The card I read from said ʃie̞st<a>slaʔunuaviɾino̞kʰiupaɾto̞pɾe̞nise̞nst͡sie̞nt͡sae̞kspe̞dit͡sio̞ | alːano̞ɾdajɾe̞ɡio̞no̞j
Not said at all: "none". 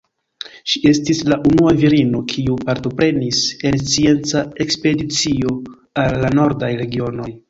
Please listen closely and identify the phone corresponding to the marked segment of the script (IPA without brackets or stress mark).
i